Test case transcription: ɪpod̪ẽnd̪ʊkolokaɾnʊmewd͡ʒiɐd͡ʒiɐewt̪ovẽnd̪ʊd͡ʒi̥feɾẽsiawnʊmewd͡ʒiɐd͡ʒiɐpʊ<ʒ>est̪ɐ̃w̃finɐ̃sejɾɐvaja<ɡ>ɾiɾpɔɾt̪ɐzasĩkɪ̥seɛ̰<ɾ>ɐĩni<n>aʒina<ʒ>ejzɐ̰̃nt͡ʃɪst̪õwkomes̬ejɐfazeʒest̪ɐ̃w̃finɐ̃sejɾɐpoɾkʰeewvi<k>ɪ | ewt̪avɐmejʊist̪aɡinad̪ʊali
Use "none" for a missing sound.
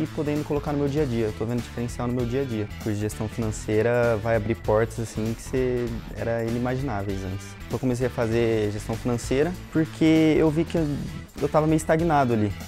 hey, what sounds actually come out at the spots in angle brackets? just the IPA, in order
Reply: ʒ, b, ɾ, m, v, k

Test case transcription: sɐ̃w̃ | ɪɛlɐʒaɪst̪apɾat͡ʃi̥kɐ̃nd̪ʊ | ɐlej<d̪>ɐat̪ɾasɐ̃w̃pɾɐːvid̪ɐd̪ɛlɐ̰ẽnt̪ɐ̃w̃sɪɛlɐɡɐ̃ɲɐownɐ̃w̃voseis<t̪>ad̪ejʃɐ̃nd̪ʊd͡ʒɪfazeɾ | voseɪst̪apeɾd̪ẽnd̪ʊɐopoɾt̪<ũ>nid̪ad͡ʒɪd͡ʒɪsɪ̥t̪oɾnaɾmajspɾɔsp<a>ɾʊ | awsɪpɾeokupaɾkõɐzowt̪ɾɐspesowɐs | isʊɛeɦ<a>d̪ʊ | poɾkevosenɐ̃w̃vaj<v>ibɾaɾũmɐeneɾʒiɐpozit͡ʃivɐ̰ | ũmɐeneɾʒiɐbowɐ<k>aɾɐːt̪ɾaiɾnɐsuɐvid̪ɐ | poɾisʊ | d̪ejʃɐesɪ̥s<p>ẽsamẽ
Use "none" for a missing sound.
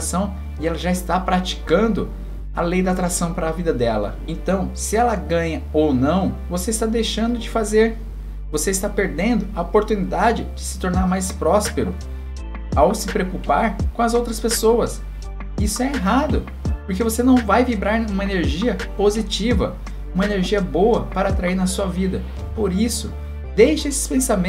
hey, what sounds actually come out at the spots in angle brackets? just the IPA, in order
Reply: d̪, t̪, u, e, a, v, p, p

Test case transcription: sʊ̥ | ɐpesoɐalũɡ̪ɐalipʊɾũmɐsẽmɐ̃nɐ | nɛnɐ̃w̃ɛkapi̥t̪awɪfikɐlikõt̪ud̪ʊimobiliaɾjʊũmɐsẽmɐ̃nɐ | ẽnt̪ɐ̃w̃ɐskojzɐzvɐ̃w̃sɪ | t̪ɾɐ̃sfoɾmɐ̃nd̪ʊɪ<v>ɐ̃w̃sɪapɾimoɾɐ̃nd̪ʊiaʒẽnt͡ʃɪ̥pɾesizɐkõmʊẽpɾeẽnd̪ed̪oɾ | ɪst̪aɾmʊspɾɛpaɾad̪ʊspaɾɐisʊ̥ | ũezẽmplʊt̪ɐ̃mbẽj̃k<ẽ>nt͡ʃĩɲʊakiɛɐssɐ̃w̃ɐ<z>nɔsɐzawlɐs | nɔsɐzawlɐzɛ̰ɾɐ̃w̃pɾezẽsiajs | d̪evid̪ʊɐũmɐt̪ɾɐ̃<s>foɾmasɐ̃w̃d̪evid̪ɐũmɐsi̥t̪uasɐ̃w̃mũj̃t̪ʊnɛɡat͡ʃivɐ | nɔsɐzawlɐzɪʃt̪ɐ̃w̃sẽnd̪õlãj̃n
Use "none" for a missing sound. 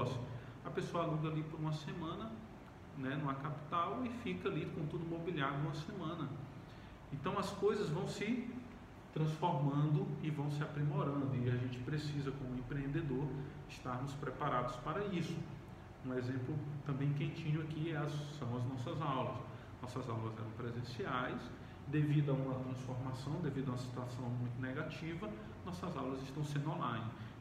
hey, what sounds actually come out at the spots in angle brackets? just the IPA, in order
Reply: v, ẽ, z, s

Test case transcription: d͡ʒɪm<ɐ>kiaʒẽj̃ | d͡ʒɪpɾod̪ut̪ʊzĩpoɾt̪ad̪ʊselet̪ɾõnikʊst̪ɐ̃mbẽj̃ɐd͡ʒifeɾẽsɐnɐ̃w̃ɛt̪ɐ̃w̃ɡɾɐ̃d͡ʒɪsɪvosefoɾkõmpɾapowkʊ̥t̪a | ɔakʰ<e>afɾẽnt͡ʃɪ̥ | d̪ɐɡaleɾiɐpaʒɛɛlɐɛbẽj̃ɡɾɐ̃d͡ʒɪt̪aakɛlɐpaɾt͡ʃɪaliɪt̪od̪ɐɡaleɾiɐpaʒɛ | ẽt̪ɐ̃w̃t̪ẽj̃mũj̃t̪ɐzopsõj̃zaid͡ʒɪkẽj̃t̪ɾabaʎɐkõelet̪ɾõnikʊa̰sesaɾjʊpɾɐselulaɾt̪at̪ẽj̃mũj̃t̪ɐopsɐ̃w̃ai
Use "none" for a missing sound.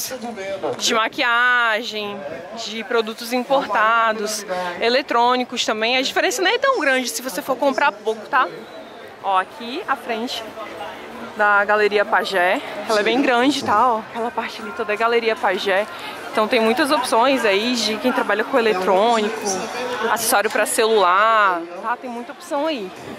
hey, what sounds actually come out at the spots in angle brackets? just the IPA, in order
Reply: a, i

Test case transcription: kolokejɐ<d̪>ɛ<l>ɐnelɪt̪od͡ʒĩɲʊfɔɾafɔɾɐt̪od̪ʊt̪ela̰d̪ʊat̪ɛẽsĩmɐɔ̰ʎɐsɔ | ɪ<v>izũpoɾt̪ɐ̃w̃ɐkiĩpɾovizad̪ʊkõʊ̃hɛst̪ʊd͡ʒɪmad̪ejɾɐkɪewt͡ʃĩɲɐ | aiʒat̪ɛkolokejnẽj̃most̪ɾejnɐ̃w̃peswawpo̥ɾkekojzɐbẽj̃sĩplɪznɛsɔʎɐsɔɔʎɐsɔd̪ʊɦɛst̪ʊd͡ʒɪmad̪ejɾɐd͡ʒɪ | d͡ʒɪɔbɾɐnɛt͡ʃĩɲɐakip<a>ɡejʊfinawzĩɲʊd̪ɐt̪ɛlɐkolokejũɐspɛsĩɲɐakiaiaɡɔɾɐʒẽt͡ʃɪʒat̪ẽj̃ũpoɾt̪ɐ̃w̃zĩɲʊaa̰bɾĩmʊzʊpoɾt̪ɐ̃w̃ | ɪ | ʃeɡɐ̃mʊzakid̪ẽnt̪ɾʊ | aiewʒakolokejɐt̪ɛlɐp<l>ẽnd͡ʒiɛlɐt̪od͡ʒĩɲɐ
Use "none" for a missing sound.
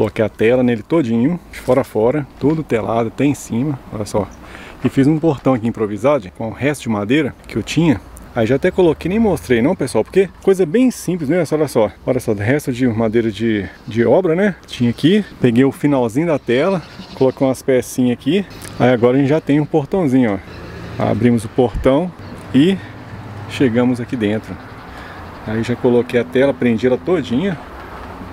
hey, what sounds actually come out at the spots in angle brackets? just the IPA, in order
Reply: t̪, l, f, e, ɾ

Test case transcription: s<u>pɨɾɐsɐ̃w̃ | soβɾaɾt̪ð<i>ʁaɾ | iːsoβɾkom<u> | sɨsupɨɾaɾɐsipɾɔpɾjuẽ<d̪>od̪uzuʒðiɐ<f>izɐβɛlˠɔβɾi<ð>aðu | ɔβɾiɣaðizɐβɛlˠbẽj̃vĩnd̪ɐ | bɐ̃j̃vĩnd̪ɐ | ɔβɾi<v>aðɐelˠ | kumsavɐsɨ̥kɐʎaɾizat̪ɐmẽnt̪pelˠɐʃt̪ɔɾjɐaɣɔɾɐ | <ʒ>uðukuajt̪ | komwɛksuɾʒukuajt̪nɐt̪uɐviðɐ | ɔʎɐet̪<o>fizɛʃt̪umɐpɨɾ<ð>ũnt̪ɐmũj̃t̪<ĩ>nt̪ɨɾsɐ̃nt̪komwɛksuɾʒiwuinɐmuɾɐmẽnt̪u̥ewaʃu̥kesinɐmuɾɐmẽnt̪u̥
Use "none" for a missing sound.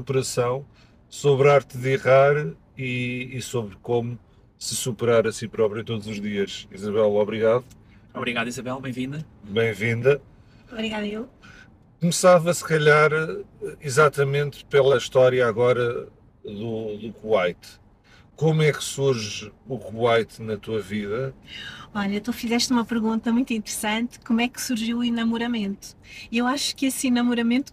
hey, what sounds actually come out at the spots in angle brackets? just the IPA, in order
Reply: u, i, u, t̪, ʃ, ɣ, ɣ, ð, u, ɣ, ĩ

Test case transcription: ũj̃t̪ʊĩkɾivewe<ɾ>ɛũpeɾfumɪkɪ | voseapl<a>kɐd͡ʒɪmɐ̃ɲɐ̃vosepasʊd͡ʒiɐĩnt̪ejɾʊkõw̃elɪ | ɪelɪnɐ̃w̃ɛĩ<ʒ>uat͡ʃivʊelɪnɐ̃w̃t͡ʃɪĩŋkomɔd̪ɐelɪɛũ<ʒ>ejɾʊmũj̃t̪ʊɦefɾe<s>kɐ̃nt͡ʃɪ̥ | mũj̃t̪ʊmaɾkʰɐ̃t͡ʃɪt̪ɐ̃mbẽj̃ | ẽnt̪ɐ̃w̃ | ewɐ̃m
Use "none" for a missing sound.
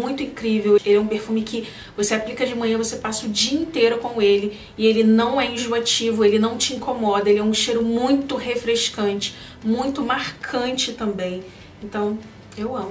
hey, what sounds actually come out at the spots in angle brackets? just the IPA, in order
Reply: l, i, ʒ, ʃ, ʃ

